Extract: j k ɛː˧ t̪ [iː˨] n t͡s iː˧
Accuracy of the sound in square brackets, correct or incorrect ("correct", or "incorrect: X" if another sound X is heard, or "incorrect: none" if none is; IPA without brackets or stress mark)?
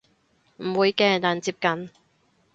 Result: incorrect: aː˨